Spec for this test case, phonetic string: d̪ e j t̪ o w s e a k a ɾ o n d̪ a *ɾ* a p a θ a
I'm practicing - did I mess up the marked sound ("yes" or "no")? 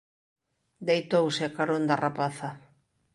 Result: yes